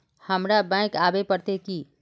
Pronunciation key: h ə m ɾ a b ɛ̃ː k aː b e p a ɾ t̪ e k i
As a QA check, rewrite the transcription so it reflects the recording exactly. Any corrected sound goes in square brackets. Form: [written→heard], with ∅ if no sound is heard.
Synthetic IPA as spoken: h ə m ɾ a b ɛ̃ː k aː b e p [a→ə] ɾ t̪ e k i

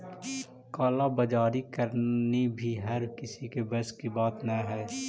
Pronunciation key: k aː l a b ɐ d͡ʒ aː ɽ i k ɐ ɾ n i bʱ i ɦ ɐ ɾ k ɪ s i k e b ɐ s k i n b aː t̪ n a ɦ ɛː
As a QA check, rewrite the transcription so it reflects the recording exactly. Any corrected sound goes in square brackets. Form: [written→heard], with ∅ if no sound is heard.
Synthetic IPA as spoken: k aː l a b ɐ d͡ʒ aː [ɽ→ɾ] i k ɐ ɾ n i bʱ i ɦ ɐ ɾ k ɪ s i k e b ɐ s k i [n→∅] b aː t̪ n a ɦ ɛː

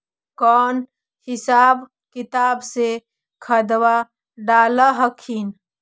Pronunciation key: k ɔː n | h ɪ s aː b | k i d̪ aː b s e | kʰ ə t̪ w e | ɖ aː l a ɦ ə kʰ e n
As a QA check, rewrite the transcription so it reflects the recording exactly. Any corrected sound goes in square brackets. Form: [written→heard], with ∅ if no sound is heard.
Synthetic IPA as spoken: k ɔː n | h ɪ s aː b | k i [d̪→t̪] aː b s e | kʰ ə [t̪→d̪] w [e→a] | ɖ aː l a ɦ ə kʰ [e→i] n

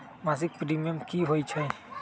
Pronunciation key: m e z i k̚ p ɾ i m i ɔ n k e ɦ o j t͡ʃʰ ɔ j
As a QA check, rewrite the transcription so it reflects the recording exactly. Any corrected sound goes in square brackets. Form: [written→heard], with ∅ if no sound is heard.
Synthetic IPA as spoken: m [e→a] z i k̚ p ɾ i m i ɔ [n→m] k [e→i] ɦ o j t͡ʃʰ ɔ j

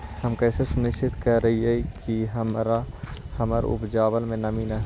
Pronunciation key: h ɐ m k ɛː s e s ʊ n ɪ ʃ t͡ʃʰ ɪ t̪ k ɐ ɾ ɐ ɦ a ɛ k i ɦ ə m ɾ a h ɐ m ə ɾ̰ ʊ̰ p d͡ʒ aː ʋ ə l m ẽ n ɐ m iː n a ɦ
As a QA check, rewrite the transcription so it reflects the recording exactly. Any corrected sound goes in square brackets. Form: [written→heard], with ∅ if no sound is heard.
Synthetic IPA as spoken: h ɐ m k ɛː s e s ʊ n ɪ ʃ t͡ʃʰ ɪ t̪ k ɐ ɾ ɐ ɦ [a→i] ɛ k i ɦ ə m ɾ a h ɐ m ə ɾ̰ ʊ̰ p d͡ʒ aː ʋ ə l m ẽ n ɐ m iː n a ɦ

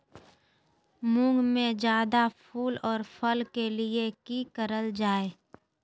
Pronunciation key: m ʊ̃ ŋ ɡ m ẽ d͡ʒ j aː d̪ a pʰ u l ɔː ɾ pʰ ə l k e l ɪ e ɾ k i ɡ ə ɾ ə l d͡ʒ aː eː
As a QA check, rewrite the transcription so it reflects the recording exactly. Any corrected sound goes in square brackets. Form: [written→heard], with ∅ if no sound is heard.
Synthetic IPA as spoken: m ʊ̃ ŋ ɡ m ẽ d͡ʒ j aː d̪ a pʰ [u→uː] l ɔː ɾ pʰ ə l k e l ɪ e [ɾ→∅] k i [ɡ→k] ə ɾ ə l d͡ʒ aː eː

